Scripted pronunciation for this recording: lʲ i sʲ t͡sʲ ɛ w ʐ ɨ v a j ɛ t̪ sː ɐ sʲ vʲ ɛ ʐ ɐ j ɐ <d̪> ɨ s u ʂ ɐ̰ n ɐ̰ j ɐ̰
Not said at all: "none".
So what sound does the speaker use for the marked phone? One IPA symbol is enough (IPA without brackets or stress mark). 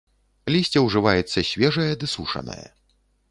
d̪